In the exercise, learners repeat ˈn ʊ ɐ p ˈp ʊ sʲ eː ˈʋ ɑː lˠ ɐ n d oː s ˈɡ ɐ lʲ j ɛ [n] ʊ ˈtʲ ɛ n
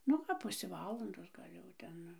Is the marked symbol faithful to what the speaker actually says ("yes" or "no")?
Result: no